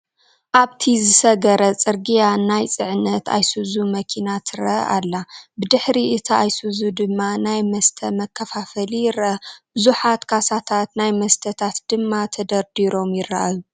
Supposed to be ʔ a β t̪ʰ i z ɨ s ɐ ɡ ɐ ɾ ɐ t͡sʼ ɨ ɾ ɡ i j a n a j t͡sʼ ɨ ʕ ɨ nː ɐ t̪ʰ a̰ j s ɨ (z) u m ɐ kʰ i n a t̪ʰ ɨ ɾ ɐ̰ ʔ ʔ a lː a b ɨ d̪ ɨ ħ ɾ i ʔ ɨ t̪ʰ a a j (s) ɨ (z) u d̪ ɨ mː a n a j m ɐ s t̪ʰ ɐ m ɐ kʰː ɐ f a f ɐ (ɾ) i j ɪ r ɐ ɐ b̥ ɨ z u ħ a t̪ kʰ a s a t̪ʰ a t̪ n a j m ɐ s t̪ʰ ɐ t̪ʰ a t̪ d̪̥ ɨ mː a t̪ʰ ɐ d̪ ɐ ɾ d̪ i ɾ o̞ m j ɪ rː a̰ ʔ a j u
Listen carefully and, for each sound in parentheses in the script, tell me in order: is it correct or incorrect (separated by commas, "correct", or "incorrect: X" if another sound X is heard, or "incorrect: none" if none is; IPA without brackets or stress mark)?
correct, correct, correct, incorrect: l